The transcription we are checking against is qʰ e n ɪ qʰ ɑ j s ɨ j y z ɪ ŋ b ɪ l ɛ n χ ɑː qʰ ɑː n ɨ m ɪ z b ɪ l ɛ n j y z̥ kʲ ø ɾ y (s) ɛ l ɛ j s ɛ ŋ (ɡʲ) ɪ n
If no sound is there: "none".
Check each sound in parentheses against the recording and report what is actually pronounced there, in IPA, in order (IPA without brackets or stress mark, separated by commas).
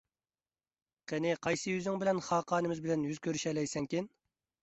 ʃ, kʲ